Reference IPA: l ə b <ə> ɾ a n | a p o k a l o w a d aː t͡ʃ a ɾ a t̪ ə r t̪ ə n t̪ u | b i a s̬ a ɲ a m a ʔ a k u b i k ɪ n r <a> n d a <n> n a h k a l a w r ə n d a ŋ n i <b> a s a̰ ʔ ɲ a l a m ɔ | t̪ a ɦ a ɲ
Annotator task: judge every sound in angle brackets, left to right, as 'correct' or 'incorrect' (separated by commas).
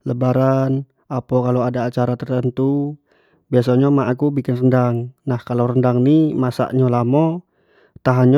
incorrect, incorrect, incorrect, incorrect